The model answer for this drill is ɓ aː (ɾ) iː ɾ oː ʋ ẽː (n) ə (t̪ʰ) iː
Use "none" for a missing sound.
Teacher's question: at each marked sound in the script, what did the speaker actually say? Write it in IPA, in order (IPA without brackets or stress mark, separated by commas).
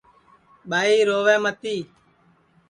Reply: none, m, t̪